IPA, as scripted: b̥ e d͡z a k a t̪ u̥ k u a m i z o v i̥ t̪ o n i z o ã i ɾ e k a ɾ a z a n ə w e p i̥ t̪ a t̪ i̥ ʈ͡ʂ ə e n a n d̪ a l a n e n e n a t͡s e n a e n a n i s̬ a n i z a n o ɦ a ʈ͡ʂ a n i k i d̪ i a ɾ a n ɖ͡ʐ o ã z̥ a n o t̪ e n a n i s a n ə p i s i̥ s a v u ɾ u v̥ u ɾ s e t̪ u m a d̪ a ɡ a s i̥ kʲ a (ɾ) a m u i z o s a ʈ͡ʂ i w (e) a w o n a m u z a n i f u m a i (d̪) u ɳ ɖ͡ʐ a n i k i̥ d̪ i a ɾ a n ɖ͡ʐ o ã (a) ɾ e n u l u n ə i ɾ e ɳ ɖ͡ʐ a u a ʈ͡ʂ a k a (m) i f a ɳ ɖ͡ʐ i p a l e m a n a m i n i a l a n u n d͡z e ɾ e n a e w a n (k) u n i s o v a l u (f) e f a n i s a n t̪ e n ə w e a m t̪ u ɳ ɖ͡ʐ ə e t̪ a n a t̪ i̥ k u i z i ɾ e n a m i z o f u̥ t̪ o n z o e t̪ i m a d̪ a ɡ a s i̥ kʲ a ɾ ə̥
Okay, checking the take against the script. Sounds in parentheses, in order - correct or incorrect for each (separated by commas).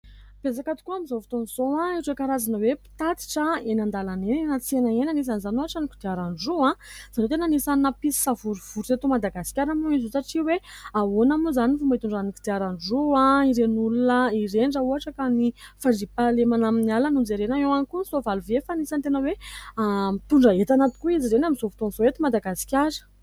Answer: correct, correct, incorrect, incorrect, incorrect, correct, incorrect